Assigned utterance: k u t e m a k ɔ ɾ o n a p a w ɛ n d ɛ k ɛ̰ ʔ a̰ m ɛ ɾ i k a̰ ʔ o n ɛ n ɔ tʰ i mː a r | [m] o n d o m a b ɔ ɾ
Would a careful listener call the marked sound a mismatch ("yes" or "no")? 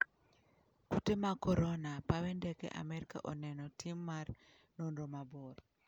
yes